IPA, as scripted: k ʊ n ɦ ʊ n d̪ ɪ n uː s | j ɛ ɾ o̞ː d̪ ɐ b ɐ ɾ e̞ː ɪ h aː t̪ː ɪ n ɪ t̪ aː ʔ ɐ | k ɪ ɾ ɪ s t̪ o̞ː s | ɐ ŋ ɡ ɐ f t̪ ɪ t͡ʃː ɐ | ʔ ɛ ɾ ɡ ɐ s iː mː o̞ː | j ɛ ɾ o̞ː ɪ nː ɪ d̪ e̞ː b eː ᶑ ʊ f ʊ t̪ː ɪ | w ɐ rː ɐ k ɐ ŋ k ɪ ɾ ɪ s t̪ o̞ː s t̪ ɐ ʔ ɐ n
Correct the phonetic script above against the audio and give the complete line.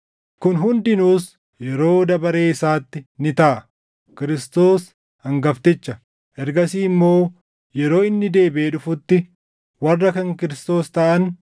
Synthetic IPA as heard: k ʊ n ɦ ʊ n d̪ ɪ n uː s | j ɛ ɾ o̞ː d̪ ɐ b ɐ ɾ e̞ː ɪ s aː t̪ː ɪ n ɪ t̪ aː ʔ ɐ | k ɪ ɾ ɪ s t̪ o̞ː s | ɐ ŋ ɡ ɐ f t̪ ɪ t͡ʃː ɐ | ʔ ɛ ɾ ɡ ɐ s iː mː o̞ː | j ɛ ɾ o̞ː ɪ nː ɪ d̪ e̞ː b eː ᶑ ʊ f ʊ t̪ː ɪ | w ɐ rː ɐ k ɐ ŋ k ɪ ɾ ɪ s t̪ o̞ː s t̪ ɐ ʔ ɐ n